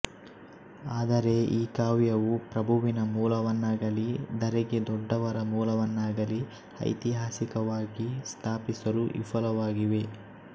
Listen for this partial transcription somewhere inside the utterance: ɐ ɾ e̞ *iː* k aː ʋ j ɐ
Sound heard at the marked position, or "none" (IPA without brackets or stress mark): iː